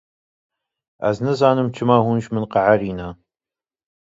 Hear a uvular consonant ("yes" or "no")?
yes